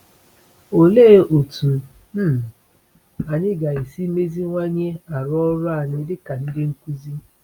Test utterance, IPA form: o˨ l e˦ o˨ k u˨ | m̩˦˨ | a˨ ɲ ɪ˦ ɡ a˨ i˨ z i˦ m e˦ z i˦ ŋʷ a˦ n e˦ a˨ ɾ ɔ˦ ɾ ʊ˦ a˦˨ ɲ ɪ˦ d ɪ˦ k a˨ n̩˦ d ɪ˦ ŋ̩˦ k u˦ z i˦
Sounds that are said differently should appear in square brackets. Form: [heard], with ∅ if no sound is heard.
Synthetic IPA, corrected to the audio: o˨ l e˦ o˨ [t] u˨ | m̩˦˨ | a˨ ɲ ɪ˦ ɡ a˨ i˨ [s] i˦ m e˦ z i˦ ŋʷ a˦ [ɲ] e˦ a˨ ɾ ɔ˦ ɾ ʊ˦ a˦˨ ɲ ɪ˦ d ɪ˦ k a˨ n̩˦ d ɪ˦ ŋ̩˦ k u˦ z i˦